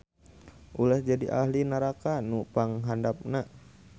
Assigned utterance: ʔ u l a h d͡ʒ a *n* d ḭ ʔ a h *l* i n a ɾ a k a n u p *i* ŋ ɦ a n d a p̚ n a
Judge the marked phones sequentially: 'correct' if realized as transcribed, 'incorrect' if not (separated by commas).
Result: incorrect, correct, incorrect